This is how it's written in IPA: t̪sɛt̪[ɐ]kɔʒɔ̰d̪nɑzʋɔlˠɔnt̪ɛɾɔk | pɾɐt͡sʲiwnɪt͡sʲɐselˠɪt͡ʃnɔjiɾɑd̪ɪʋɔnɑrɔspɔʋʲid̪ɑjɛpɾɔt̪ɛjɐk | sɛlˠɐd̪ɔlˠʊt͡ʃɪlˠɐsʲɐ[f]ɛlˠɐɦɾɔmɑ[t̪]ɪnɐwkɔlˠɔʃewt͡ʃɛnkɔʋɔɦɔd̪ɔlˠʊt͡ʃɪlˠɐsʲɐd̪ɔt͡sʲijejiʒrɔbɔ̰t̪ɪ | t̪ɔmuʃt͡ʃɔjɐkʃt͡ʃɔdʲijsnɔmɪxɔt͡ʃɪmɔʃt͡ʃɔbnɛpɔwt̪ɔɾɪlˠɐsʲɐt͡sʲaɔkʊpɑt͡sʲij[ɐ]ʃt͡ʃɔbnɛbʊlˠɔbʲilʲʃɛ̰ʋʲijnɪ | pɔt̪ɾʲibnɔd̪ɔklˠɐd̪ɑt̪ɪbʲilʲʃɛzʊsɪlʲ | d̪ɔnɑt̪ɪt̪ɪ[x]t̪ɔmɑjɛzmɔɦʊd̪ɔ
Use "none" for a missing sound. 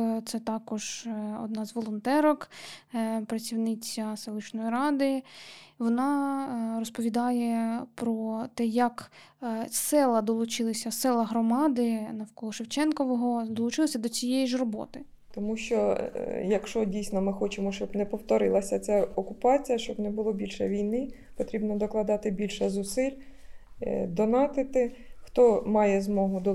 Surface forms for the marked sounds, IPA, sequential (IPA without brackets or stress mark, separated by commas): ɑ, s, d̪, ɐ, x